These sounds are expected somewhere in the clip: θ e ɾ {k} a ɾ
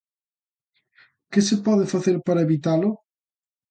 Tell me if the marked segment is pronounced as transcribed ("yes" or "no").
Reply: no